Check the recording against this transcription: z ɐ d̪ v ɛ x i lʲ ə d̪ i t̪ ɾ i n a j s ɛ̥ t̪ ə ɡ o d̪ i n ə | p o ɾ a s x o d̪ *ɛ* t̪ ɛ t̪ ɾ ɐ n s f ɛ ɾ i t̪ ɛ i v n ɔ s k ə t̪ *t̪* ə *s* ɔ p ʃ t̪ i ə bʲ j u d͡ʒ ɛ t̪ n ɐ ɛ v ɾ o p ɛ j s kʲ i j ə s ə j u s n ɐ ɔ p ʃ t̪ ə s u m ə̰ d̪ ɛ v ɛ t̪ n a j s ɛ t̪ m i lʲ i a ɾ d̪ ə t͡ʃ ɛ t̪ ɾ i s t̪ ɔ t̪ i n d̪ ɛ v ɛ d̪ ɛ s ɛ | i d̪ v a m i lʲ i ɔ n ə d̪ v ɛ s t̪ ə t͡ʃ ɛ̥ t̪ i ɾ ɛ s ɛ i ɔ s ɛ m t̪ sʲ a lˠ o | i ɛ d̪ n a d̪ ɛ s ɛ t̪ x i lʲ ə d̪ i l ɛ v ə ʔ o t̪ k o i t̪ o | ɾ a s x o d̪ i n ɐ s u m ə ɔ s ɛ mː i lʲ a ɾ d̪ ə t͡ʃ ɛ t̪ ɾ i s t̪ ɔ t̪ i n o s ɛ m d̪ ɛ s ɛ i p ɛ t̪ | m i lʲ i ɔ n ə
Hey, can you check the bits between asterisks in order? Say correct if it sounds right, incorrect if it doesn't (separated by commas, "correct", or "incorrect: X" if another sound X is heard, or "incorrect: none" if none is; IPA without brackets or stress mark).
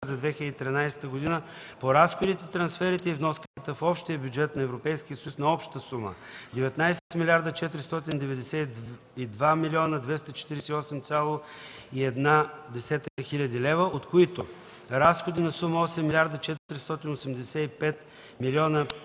incorrect: i, correct, incorrect: f